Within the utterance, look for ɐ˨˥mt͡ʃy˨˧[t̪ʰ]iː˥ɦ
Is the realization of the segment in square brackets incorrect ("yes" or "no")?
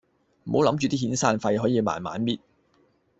yes